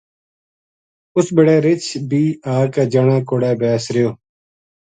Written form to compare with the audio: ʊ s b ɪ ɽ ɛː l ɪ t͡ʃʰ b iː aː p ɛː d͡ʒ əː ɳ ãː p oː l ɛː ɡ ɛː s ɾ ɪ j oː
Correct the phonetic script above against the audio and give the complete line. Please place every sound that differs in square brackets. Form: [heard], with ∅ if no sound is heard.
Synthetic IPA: ʊ s b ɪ ɽ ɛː [ɾ] ɪ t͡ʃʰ b iː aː [k] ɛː d͡ʒ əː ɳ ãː [k] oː [ɽ] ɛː [b] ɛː s ɾ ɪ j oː